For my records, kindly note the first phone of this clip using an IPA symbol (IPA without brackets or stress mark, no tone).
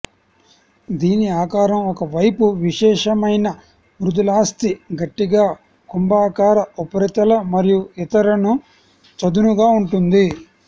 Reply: d̪